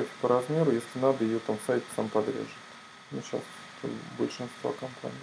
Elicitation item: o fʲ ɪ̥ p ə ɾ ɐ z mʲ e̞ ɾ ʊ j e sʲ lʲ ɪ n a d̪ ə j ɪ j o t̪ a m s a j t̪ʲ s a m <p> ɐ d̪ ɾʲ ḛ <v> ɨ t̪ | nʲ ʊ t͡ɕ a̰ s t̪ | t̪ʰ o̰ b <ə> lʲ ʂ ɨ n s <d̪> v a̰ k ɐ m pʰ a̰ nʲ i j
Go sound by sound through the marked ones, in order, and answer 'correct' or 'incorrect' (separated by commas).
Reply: correct, incorrect, correct, incorrect